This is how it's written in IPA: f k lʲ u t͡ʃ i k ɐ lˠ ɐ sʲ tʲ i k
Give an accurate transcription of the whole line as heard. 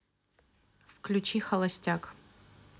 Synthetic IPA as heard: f k lʲ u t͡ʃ i x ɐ lˠ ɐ sʲ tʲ a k